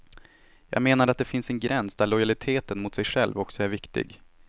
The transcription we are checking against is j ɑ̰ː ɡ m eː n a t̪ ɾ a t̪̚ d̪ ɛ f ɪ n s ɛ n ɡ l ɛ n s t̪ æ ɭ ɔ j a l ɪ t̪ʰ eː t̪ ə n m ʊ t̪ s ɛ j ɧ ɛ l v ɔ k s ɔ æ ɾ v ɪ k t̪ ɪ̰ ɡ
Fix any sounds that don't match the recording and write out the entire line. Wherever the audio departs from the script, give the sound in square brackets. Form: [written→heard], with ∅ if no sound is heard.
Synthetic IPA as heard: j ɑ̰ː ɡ m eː n a [t̪→∅] ɾ a t̪̚ d̪ ɛ f ɪ n s ɛ n ɡ [l→ɾ] ɛ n s [t̪→d̪] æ ɭ ɔ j a l ɪ t̪ʰ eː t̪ ə n m ʊ t̪ s ɛ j ɧ ɛ l v ɔ k s ɔ æ ɾ v ɪ k t̪ ɪ̰ ɡ